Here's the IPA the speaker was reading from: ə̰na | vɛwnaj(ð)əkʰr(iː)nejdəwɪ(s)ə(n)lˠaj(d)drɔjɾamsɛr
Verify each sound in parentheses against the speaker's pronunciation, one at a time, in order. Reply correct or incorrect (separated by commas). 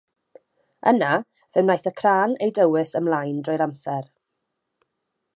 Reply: incorrect, incorrect, correct, incorrect, incorrect